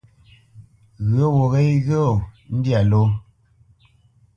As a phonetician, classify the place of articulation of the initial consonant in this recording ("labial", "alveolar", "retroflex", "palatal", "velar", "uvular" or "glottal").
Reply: velar